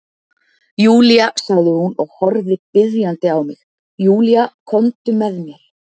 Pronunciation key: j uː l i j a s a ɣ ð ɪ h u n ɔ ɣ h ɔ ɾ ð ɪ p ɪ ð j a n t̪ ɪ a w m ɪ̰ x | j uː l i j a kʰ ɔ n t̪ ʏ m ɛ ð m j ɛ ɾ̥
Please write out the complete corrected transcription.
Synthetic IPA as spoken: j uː l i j a s a ɣ ð ɪ h u n ɔ ɣ h ɔ ɾ ð ɪ p ɪ ð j a n t̪ ɪ a w m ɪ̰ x | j uː l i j a kʰ ɔ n t̪ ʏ m ɛ ð m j ɛ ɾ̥

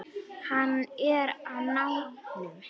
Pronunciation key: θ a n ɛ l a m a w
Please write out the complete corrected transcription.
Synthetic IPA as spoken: h a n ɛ ɾ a n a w

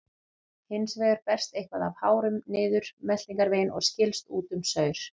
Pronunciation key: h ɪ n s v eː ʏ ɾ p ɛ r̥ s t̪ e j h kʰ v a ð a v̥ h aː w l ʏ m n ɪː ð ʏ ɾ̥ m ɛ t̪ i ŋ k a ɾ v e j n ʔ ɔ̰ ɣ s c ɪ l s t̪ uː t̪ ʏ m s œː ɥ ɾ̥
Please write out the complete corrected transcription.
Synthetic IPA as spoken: h ɪ n s v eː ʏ ɾ p ɛ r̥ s t̪ e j h k v a ð a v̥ h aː w ɾ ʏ m n ɪː ð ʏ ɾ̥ m ɛ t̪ i ŋ k a ɾ v e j n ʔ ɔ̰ ɣ s c ɪ l s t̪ uː t̪ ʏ m s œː ɥ ɾ̥

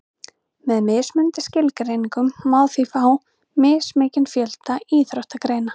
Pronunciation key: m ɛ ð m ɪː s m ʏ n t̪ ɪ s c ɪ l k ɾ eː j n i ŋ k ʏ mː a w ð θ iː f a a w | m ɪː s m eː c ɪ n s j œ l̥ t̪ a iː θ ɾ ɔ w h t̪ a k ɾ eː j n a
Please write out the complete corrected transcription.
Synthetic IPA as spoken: m ɛ ð m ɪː s m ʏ n t̪ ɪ s c ɪ l k ɾ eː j n i ŋ k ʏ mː a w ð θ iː f a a w | m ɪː s m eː c ɪ n f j œ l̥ t̪ a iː θ ɾ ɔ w h t̪ a k ɾ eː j n a

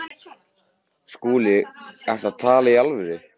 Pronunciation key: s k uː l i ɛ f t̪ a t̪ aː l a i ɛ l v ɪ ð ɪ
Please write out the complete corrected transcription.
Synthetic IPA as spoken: s k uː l ɪ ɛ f t̪ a t̪ʰ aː l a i a l v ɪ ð ɪ

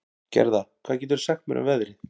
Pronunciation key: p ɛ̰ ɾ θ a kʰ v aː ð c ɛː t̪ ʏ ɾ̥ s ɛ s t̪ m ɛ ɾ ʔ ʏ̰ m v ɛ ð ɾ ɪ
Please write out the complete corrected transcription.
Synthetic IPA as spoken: c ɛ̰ ɾ ð a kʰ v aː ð c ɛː t̪ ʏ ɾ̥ s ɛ x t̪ m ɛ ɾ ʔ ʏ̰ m v ɛ ð ɾ ɪ

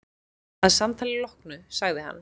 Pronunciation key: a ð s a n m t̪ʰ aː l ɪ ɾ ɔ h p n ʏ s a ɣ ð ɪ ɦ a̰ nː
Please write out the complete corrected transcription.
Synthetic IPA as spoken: a ð s a m t̪ʰ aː l ɪ l ɔ h k n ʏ s a ɣ ð ɪ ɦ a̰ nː

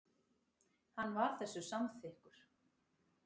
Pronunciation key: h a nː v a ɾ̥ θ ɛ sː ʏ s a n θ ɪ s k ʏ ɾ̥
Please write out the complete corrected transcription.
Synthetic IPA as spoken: h a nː v a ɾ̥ θ ɛ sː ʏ s a m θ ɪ h k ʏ ɾ̥

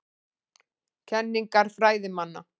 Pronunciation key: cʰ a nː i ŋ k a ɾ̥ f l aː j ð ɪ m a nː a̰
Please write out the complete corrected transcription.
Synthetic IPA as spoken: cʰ ɛ nː i ŋ k a ɾ̥ f ɾ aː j ð ɪ m a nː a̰

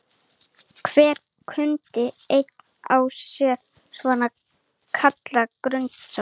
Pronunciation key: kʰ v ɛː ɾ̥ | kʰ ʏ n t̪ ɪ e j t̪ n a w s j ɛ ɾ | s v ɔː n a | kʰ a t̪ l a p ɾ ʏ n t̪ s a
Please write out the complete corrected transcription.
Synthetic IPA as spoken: kʰ v ɛː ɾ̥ | kʰ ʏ n t̪ ɪ e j t̪ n a w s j ɛ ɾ | s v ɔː n a | kʰ a t̪ l a k ɾ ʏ n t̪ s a

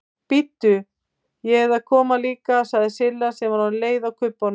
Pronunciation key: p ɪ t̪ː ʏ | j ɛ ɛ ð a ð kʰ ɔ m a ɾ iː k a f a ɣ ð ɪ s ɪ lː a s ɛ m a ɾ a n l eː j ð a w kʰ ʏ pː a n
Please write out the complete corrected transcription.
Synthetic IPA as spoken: p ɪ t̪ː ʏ | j ɛ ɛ ð a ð kʰ ɔː m a l iː k a s a ɣ ð ɪ s ɪ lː a s ɛ m a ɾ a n l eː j ð a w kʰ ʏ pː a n

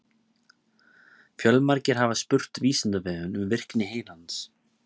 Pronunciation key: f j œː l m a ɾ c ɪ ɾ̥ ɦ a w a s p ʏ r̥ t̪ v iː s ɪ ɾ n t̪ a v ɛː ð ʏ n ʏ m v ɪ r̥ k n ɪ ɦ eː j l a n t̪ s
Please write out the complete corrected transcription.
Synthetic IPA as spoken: f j œ l m a ɾ c ɪ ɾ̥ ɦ a v a s p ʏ r̥ t̪ v iː s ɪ n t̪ a v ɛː ð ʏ n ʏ m v ɪ r̥ k n ɪ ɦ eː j l a n t̪ s

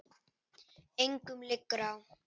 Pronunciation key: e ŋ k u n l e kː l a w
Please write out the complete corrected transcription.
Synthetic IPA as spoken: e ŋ k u m l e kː ɾ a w

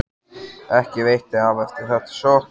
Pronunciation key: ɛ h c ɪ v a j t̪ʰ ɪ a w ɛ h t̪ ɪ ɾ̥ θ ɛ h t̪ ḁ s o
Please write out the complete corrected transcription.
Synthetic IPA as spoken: ɛ h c ɪ v e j t̪ ɪ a v ɛ f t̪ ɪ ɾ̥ θ ɛ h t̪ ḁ s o

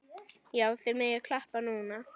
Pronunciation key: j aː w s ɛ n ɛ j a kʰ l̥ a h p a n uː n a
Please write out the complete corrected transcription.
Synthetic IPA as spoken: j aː w θ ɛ m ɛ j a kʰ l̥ a h p a n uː n a

